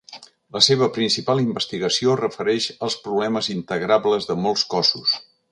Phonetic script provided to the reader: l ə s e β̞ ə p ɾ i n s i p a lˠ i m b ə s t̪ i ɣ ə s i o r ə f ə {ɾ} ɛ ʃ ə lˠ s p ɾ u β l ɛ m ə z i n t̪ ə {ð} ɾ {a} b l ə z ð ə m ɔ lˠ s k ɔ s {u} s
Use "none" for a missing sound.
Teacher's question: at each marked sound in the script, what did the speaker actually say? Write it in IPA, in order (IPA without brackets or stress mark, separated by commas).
ɾ, ɣ, a, u